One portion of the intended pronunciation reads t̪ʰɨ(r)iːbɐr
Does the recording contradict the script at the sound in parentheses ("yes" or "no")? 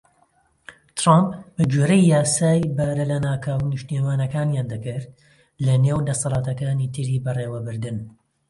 yes